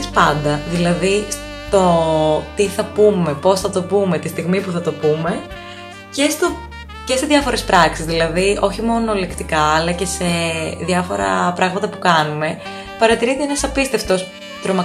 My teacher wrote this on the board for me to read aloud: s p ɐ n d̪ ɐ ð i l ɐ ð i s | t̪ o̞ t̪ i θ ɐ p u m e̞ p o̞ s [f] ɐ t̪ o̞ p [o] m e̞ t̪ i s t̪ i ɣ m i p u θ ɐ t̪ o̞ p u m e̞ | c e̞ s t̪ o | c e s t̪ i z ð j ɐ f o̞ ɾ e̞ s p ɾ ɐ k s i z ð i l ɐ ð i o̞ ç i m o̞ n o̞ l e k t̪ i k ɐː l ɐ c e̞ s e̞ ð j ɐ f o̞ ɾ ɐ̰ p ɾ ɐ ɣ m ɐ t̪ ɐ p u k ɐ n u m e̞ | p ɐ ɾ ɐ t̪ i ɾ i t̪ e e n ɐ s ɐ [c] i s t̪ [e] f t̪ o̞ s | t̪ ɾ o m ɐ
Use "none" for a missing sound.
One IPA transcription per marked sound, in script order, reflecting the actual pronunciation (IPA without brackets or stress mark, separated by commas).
θ, u, p, e